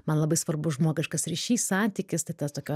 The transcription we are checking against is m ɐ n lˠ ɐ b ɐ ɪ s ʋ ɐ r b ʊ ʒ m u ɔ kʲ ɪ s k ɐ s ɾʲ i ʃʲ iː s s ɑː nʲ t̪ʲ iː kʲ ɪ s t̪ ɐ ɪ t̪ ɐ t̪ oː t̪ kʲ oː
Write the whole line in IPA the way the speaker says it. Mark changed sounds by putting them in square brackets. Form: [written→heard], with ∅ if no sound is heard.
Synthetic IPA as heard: m ɐ n lˠ ɐ b ɐ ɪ s ʋ ɐ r b ʊ ʒ m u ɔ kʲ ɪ [s→ʃ] k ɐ s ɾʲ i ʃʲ iː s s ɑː nʲ t̪ʲ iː kʲ ɪ s t̪ ɐ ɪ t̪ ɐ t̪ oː [t̪→∅] kʲ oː